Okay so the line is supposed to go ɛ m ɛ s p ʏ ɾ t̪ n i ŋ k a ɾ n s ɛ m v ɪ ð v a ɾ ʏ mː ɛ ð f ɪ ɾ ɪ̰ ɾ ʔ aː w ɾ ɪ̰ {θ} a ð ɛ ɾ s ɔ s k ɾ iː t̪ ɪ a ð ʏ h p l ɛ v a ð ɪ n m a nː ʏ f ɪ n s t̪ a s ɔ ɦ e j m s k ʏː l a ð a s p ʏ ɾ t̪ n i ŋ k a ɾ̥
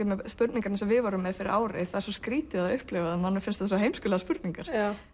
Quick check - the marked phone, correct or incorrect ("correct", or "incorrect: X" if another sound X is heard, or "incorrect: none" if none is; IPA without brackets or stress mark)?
correct